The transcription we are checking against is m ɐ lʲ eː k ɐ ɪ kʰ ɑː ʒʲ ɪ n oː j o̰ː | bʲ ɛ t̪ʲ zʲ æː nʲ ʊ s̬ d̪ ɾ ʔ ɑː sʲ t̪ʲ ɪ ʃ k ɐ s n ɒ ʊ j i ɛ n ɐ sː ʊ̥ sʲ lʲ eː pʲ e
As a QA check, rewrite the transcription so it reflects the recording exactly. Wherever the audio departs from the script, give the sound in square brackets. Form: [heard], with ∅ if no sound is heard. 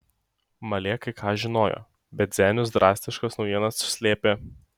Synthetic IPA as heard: m ɐ lʲ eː k ɐ ɪ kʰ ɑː ʒʲ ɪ n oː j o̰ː | bʲ ɛ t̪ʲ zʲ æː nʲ ʊ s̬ d̪ ɾ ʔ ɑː sʲ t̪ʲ ɪ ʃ k ɐ s n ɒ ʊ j i ɛ n ɐ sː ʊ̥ sʲ lʲ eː pʲ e